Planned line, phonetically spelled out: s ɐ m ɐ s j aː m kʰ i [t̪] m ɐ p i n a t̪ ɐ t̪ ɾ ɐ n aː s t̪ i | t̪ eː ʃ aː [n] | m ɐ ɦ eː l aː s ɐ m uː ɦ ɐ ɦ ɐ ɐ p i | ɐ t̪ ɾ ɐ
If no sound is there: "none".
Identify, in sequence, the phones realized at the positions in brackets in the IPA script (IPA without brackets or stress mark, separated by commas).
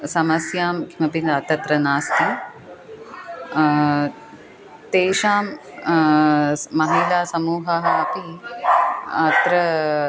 none, m